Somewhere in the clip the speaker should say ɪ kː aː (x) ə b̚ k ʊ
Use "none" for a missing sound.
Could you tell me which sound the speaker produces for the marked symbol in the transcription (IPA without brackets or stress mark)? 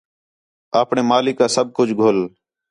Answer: s